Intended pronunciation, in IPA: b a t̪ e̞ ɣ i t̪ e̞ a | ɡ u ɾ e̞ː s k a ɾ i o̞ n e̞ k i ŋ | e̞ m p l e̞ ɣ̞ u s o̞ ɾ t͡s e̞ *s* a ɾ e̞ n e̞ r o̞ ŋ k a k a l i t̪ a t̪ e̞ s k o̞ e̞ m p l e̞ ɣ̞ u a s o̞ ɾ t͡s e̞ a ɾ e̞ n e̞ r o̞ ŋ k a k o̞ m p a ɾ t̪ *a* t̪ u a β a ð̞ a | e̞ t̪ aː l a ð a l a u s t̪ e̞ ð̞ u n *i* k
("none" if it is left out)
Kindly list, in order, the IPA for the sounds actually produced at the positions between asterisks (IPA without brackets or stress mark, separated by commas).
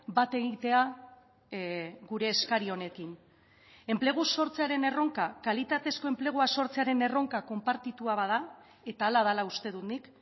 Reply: none, i, i